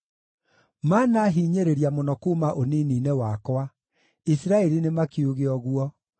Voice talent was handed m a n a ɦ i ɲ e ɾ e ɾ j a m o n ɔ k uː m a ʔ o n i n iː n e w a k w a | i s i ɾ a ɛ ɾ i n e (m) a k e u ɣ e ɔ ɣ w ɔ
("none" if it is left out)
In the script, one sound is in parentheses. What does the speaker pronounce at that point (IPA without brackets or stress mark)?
m